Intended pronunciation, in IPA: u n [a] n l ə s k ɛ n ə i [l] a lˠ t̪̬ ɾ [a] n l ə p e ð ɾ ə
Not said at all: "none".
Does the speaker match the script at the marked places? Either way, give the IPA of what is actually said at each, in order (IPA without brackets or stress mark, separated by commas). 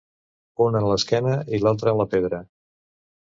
ə, l, ə